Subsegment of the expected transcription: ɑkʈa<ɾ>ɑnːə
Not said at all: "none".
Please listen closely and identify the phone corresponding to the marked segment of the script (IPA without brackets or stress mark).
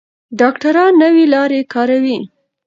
ɾ